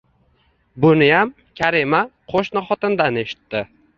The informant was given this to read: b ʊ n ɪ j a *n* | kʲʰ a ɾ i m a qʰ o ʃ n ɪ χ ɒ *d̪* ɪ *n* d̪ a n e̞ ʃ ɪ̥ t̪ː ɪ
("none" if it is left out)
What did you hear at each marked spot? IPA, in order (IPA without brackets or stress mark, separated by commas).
m, t̪, n